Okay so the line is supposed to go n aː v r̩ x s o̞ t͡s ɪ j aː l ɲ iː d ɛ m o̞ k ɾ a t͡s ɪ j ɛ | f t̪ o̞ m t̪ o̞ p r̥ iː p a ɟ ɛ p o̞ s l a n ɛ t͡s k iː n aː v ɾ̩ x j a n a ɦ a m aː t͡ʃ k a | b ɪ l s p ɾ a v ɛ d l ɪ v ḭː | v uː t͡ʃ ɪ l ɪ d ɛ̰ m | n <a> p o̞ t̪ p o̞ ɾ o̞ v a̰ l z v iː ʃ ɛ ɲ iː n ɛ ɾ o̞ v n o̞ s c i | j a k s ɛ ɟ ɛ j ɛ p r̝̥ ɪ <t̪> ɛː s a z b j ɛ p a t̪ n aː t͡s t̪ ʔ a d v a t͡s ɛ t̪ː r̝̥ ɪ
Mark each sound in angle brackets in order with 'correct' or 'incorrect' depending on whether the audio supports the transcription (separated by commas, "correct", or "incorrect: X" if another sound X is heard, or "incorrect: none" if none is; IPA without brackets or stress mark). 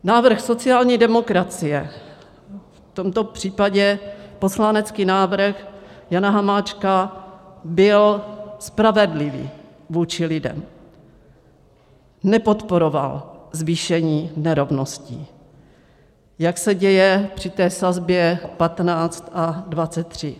incorrect: ɛ, correct